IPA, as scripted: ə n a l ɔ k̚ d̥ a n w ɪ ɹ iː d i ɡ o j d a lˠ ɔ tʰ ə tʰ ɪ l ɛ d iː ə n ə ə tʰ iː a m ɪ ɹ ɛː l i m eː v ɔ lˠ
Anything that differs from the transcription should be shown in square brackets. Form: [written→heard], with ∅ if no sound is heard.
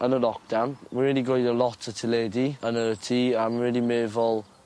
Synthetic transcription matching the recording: ə n [a→ə] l ɔ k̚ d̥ a n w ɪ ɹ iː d i ɡ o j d [a→ə] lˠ ɔ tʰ ə tʰ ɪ l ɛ d [iː→i] ə n ə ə tʰ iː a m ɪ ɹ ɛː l i m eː v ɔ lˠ

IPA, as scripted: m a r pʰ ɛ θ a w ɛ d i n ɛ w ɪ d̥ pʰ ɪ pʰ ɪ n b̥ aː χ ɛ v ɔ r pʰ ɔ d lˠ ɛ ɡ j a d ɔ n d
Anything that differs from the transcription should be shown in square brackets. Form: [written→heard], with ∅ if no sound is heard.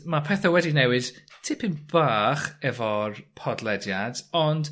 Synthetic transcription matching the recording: m a [r→∅] pʰ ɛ θ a w ɛ d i n ɛ w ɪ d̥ [pʰ→tʰ] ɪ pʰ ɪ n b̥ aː χ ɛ v ɔ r pʰ ɔ d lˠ ɛ [ɡ→d] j a d ɔ n d

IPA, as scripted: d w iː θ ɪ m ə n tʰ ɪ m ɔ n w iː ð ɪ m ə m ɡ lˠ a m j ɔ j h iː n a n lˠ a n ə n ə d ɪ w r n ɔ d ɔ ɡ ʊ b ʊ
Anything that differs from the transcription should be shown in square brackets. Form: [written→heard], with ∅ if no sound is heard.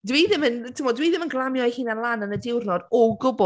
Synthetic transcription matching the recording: d w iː [θ→ð] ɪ m ə n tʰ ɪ m ɔ [n→d] w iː ð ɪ m ə [m→n] ɡ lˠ a m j ɔ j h iː n a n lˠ a n ə n ə d ɪ w r n ɔ d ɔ ɡ ʊ b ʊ

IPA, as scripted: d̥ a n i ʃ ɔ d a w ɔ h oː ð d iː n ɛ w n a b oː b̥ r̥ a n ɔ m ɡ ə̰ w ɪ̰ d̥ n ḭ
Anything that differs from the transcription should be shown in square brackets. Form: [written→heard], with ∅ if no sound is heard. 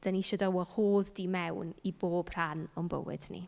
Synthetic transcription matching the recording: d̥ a n i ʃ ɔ d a w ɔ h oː ð d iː [n→m] ɛ w n [a→i] b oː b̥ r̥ a n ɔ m [ɡ→b] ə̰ w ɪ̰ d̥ n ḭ

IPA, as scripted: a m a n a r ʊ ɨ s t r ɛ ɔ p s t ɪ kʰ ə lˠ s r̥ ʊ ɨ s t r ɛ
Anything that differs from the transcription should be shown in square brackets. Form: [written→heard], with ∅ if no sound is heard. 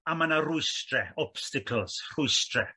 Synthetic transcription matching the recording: a m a n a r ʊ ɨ s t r ɛ ɔ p s t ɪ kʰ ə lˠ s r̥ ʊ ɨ s t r ɛ

